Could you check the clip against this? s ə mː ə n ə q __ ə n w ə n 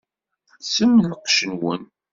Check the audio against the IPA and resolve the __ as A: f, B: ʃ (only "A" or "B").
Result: B